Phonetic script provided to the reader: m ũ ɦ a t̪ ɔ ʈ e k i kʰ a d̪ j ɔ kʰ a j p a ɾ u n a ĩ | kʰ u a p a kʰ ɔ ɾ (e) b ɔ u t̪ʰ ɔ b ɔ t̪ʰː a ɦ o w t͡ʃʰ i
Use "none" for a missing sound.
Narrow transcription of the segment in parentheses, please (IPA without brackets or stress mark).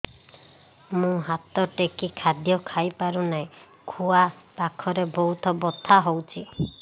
e